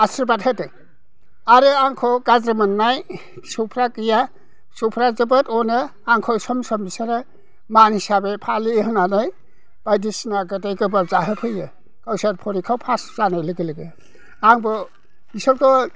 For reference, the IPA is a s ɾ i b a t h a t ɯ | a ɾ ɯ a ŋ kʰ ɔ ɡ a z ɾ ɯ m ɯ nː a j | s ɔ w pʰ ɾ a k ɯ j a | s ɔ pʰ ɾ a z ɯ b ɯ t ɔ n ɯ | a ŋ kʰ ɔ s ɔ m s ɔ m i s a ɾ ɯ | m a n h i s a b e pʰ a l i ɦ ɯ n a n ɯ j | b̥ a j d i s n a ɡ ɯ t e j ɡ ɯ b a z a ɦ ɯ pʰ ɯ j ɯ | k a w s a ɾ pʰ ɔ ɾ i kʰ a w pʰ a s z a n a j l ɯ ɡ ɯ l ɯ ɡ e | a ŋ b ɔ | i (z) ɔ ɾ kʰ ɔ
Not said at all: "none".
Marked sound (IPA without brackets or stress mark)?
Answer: s